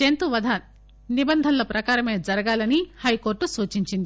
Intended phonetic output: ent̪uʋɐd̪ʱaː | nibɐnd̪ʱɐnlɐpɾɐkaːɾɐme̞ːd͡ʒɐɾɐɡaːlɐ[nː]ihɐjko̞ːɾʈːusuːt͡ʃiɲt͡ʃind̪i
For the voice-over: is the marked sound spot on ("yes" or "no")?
no